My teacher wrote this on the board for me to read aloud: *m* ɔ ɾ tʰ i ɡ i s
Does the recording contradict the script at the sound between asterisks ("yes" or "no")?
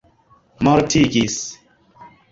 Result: no